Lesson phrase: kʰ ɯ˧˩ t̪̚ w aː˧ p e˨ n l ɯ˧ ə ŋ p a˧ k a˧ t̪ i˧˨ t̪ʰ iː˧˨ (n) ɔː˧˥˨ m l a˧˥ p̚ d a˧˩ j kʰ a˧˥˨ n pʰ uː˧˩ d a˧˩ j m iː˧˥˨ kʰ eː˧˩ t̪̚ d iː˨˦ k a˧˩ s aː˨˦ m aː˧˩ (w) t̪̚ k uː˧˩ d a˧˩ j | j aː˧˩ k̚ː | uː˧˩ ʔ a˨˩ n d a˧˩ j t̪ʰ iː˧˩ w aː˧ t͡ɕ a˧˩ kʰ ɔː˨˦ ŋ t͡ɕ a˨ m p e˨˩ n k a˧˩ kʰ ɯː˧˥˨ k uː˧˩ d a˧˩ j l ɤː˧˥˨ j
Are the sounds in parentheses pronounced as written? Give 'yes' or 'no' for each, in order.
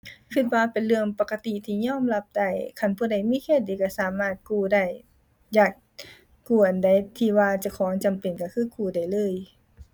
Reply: no, no

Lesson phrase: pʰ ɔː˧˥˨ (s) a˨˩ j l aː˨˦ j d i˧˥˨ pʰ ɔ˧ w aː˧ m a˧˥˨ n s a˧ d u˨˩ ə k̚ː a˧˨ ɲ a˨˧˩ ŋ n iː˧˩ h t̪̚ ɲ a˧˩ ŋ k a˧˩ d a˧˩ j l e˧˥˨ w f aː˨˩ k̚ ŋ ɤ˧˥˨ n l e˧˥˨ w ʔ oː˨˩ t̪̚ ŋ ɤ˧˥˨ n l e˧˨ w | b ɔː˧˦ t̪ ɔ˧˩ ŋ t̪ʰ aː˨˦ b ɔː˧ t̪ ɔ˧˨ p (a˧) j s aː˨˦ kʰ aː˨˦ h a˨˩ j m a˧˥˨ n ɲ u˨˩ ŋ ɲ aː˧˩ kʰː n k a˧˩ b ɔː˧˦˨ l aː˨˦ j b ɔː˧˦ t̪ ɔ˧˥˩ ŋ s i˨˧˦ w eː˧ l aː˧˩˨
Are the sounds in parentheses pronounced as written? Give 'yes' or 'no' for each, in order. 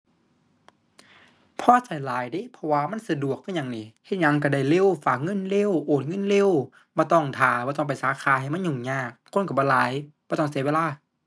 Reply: yes, no

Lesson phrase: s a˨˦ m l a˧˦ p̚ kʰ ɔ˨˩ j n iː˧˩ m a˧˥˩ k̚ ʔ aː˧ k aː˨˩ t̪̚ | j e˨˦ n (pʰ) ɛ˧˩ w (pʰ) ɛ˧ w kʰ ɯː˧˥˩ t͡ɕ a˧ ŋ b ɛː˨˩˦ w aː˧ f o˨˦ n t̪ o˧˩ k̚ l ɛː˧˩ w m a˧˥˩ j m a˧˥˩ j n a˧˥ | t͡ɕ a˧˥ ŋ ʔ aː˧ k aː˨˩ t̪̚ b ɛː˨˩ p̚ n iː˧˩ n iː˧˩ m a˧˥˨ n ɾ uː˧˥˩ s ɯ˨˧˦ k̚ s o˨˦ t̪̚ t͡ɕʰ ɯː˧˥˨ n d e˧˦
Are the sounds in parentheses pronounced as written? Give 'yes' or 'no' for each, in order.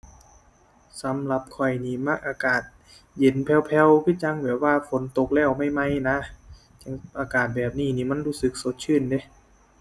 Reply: yes, yes

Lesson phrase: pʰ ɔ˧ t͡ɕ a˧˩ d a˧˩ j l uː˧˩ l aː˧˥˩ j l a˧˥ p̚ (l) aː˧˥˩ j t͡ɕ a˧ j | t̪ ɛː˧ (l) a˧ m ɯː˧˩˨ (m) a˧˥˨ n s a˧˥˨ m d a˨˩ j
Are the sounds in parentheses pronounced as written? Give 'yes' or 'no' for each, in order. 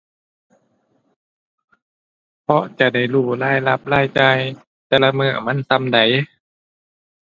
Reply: yes, yes, yes

